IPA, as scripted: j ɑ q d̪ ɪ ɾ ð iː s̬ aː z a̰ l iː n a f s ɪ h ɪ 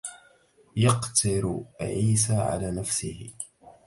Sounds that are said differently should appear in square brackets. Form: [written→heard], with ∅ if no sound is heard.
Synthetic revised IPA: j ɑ q [d̪→t̪] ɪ ɾ [ð→ʕ] iː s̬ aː [z→ʕ] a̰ l [iː→aː] n a f s ɪ h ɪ